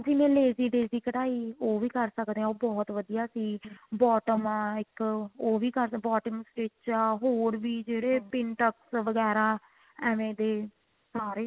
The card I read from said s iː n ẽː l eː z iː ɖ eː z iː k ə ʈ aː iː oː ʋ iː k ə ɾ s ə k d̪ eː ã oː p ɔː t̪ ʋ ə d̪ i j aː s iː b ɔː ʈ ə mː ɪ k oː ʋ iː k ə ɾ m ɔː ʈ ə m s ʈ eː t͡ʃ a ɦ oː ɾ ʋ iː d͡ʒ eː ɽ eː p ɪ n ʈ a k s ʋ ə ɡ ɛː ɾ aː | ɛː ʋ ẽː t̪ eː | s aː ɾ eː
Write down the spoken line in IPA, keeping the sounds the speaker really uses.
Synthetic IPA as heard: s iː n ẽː l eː z iː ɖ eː z iː k ə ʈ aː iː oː ʋ iː k ə ɾ s ə k d̪ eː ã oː b ɔː t̪ ʋ ə d̪ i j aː s iː b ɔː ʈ ə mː ɪ k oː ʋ iː k ə ɾ b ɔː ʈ ə m s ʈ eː t͡ʃ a ɦ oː ɾ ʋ iː d͡ʒ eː ɽ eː p ɪ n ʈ ə k s ʋ ə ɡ ɛː ɾ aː | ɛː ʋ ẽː d̪ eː | s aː ɾ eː